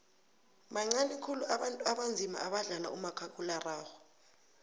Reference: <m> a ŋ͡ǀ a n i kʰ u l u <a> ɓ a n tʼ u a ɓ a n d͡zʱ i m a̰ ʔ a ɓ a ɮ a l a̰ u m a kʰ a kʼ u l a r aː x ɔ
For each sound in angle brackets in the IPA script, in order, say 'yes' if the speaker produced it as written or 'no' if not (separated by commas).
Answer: yes, yes